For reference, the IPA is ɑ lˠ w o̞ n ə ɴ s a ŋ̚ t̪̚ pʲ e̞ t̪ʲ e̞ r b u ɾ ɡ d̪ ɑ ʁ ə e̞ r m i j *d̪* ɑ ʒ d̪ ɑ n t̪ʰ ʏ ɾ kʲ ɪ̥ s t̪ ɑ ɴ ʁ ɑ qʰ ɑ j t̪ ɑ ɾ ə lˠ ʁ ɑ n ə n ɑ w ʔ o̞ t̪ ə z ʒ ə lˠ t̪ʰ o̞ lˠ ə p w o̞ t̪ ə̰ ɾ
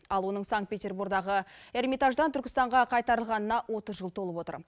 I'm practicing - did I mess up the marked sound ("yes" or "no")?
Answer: yes